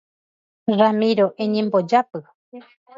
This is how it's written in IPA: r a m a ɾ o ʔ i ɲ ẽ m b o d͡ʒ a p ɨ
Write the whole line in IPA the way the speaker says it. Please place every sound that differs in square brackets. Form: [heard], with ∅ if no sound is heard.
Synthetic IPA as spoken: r a m [i] ɾ o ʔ [e] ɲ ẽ m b o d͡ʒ a p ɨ